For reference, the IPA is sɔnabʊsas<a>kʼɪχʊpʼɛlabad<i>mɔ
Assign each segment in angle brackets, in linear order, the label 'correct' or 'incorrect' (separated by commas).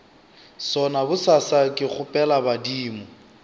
correct, incorrect